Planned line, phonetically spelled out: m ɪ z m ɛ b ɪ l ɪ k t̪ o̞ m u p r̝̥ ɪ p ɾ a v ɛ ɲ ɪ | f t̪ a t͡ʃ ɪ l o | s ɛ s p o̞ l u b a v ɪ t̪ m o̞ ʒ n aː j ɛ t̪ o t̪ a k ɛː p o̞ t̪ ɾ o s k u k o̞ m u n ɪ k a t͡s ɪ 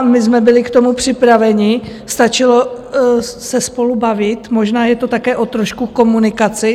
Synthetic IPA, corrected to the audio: m ɪ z m ɛ b ɪ l ɪ k t̪ o̞ m u p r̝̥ ɪ p ɾ a v ɛ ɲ ɪ | s t̪ a t͡ʃ ɪ l o | s ɛ s p o̞ l u b a v ɪ t̪ m o̞ ʒ n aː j ɛ t̪ o t̪ a k ɛː ʔ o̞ t̪ ɾ o ʃ k u k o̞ m u n ɪ k a t͡s ɪ